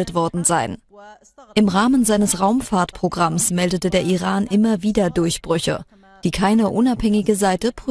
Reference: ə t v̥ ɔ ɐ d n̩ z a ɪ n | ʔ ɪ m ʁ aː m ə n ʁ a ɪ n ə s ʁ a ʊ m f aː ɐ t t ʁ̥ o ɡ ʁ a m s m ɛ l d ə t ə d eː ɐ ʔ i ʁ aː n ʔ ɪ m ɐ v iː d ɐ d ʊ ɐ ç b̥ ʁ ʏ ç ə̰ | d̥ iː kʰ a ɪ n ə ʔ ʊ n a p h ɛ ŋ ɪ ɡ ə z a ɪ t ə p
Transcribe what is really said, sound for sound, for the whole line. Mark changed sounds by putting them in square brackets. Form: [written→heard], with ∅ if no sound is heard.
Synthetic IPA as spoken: ə t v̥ ɔ ɐ d n̩ z a ɪ n | ʔ ɪ m ʁ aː m ə n [ʁ→z] a ɪ n ə s ʁ a ʊ m f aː ɐ t [t→p] ʁ̥ o ɡ ʁ a m s m ɛ l d ə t ə d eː ɐ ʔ i ʁ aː n ʔ ɪ m ɐ v iː d ɐ d ʊ ɐ ç b̥ ʁ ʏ ç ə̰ | d̥ iː kʰ a ɪ n ə ʔ ʊ n a p h ɛ ŋ ɪ ɡ ə z a ɪ t ə p